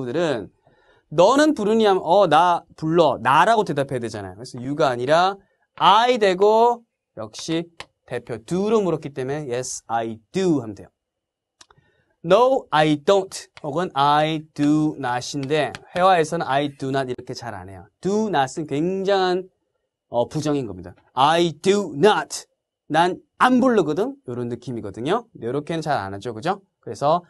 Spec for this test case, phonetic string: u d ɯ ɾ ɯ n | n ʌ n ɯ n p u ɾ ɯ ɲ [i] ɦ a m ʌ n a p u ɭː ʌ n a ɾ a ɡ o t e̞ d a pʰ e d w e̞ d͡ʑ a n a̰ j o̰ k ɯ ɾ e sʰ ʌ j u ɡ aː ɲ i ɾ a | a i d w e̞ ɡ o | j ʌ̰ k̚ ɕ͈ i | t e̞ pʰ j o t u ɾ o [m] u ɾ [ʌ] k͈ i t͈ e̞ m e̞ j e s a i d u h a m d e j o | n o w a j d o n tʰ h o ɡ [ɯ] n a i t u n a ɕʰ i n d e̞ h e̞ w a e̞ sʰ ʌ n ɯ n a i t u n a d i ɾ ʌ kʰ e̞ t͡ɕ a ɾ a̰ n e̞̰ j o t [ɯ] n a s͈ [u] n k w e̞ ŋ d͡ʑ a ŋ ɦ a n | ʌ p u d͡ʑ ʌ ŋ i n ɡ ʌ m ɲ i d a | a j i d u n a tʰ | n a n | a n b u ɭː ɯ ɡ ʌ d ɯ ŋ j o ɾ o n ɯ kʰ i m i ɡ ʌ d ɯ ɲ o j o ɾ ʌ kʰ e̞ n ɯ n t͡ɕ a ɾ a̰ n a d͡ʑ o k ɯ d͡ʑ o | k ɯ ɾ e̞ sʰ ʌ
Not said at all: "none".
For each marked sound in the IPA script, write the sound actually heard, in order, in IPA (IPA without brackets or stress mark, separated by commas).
i, m, ʌ, ɯ, u, ɯ